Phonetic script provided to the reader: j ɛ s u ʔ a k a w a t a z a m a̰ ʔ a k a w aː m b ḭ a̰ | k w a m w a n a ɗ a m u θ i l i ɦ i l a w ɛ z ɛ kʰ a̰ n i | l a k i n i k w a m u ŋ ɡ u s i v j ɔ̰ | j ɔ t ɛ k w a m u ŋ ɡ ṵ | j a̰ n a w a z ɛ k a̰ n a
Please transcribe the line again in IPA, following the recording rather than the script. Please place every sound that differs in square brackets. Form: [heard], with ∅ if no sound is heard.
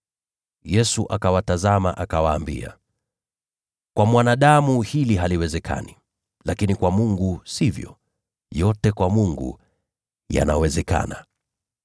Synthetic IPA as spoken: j ɛ s u ʔ a k a w a t a z a m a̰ ʔ a k a w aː m b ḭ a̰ | k w a m w a n a ɗ a m u [h] i l i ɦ [a] l [i] w ɛ z ɛ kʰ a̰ n i | l a k i n i k w a m u ŋ ɡ u s i v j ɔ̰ | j ɔ t ɛ k w a m u ŋ ɡ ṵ | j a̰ n a w [ɛ] z ɛ k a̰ n a